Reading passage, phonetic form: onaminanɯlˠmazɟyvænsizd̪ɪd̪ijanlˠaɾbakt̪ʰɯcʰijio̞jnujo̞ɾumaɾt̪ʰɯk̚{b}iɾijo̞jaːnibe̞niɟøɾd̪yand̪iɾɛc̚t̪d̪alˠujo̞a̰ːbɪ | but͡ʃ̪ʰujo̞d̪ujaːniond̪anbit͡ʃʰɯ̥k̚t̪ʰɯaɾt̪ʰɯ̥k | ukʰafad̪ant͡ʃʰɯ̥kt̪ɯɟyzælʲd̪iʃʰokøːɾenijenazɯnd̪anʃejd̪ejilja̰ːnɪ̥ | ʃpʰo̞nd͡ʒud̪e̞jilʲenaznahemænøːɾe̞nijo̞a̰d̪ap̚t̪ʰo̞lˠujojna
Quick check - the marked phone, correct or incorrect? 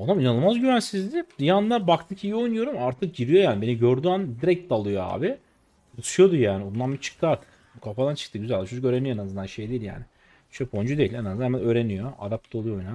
incorrect